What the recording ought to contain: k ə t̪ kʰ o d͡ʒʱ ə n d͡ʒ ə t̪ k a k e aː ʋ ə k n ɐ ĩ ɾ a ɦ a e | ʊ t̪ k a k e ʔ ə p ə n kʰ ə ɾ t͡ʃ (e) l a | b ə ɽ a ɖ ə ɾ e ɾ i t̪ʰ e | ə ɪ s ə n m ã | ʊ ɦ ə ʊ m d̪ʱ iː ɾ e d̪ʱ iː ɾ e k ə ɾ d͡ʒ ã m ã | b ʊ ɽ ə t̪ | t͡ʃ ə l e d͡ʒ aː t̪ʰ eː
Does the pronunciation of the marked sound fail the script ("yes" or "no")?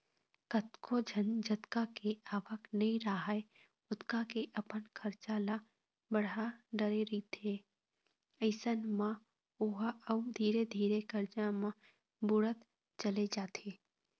yes